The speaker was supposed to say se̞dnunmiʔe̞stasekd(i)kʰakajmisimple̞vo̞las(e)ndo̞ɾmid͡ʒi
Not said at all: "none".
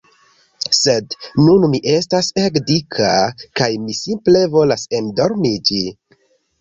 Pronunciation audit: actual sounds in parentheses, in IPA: i, e

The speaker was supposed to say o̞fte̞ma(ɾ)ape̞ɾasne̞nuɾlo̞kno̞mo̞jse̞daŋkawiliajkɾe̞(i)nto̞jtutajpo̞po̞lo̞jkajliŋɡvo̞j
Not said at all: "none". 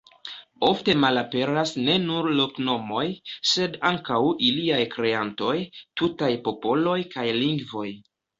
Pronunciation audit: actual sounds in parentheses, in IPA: l, a

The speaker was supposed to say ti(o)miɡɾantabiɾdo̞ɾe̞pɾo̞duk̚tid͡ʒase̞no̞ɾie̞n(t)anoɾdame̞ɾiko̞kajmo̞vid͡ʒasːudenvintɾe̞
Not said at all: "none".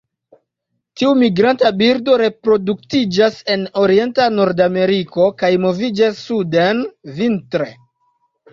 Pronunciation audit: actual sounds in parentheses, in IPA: u, t

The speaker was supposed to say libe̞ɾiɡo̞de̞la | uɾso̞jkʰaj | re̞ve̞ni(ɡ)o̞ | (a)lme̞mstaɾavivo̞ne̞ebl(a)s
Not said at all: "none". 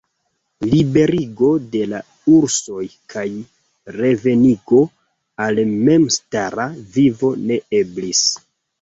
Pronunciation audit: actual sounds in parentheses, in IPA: ɡ, a, i

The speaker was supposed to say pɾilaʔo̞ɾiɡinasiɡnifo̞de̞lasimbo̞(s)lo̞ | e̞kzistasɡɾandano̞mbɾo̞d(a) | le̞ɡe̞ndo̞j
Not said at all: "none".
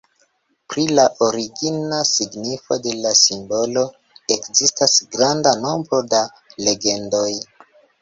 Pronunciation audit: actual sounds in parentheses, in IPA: none, a

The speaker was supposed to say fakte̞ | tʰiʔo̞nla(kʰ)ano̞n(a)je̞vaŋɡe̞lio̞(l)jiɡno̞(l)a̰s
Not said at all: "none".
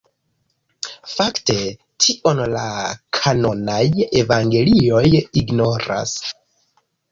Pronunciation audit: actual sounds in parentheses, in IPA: kʰ, a, none, ɾ

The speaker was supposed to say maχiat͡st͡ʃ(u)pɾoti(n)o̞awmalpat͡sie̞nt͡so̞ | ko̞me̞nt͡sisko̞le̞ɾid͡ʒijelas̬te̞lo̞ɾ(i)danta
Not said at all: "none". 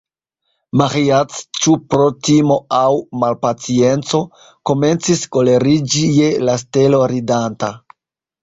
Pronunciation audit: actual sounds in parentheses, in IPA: u, m, i

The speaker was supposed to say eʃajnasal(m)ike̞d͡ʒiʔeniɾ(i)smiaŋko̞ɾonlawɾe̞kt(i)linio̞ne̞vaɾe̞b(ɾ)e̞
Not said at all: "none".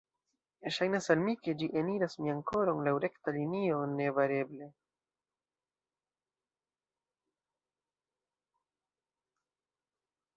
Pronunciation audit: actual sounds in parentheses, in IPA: m, a, a, l

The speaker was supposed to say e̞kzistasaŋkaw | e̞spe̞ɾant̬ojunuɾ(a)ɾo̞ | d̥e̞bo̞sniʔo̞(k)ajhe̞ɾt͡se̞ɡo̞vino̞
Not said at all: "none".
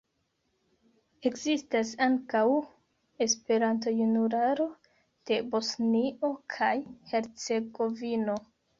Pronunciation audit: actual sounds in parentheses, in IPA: a, kʰ

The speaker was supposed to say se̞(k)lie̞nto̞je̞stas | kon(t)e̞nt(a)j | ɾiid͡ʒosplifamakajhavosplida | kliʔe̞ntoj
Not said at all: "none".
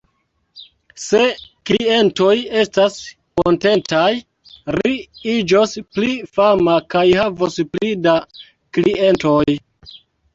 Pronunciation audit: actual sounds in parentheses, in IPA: k, t, a

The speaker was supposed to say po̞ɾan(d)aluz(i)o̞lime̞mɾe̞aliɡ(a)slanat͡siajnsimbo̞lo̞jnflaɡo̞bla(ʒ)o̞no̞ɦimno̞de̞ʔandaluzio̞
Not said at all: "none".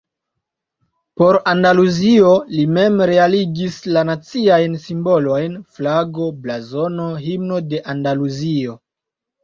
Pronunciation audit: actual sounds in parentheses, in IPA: d, i, i, z

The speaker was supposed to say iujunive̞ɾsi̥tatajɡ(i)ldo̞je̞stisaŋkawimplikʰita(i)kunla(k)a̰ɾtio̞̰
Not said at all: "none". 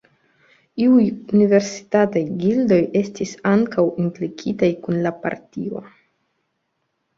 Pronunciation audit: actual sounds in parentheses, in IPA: i, j, p

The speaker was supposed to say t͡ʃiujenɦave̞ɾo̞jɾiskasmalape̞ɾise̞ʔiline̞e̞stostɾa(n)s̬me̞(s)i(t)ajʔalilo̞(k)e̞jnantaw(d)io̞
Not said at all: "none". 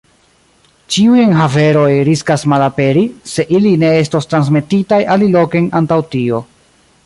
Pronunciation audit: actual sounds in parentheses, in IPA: n, t, t, k, t

